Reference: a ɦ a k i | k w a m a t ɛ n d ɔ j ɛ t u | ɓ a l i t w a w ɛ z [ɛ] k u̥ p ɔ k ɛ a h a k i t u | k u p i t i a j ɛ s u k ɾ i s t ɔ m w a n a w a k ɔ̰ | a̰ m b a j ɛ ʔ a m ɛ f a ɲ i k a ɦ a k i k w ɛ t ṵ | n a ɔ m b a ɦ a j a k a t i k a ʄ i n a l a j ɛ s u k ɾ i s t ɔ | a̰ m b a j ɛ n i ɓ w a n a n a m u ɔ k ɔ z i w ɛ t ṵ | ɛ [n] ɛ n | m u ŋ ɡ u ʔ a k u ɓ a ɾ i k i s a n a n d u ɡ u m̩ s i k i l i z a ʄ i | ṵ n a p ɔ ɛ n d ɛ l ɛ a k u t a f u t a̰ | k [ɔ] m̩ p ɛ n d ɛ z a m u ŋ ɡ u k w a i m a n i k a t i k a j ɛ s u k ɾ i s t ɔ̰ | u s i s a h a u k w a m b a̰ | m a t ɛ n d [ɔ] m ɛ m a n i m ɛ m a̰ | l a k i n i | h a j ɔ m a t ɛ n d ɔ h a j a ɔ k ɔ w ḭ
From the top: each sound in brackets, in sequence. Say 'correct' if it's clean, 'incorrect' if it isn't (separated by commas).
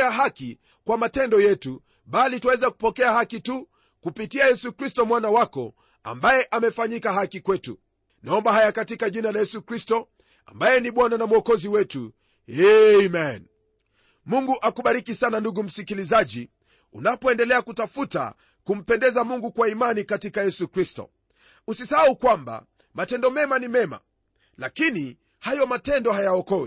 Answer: incorrect, incorrect, incorrect, correct